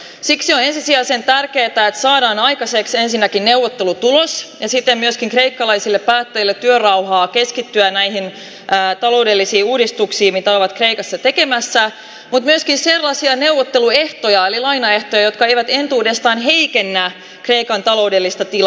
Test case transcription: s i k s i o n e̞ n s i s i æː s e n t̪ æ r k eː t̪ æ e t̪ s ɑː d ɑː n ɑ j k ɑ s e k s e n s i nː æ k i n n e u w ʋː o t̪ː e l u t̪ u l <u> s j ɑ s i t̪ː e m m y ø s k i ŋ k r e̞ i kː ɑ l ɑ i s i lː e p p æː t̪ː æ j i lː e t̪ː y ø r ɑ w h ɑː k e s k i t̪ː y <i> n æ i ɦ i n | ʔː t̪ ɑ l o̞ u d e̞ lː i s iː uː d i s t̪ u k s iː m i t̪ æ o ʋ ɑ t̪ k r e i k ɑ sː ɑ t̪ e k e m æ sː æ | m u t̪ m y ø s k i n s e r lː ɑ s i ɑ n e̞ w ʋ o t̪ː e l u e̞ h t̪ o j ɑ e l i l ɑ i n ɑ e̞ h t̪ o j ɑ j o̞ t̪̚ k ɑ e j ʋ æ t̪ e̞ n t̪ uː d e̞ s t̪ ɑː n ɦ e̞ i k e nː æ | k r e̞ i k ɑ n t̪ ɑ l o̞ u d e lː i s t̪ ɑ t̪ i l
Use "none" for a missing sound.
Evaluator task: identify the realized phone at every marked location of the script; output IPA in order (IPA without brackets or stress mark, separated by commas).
o, æ